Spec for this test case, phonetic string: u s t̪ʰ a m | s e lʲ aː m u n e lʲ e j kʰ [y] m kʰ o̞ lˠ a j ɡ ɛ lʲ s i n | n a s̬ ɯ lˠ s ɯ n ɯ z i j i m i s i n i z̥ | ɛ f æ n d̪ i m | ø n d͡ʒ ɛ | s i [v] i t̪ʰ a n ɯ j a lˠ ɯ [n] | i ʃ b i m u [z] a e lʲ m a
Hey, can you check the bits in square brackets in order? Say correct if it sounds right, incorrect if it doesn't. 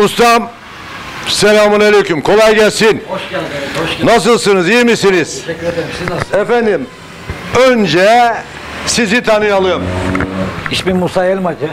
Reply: correct, incorrect, incorrect, incorrect

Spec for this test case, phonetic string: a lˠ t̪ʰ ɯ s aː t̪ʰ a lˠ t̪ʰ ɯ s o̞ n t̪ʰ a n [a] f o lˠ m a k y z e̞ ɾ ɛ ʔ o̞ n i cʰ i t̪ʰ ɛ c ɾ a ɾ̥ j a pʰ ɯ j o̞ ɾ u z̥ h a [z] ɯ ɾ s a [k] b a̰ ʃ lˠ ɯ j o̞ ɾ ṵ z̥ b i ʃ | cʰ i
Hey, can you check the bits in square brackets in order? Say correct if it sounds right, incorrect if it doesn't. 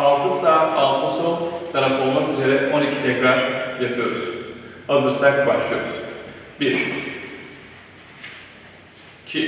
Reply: correct, correct, correct

